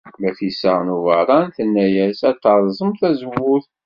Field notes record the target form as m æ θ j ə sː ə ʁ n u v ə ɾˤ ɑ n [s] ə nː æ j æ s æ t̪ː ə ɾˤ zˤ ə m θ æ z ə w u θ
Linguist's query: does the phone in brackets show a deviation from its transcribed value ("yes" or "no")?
yes